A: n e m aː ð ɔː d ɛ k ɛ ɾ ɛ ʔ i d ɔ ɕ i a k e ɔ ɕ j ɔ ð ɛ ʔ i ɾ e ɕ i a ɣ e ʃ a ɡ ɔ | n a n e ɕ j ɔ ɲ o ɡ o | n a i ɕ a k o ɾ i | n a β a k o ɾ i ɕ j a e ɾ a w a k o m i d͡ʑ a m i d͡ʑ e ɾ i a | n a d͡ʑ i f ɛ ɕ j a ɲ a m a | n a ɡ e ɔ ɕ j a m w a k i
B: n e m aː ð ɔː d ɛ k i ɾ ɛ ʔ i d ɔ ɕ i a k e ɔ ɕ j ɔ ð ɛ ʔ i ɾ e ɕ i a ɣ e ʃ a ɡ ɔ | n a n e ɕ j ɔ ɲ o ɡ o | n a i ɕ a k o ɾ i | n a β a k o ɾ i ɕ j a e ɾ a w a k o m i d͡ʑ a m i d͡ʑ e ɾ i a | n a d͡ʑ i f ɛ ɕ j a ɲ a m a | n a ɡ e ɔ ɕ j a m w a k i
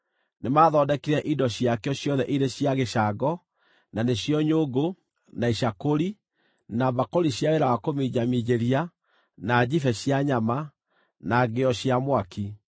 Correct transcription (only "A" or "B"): B